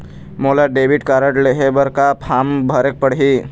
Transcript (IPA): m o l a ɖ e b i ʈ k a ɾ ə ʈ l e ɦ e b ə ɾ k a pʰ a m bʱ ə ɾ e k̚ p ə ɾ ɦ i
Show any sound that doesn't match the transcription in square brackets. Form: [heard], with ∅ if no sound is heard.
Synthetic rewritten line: m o l a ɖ e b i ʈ k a ɾ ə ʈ l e ɦ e b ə ɾ k a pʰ a m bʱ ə ɾ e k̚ p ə [ɽ] ɦ i